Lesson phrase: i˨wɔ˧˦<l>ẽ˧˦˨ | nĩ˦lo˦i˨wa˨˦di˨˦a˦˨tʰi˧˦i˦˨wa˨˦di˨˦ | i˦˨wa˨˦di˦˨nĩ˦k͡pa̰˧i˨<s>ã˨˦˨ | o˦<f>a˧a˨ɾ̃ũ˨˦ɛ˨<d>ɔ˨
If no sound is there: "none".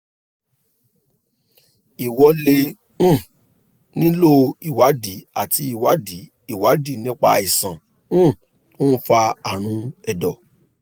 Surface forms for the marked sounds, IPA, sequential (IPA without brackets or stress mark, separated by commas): l, s, f, d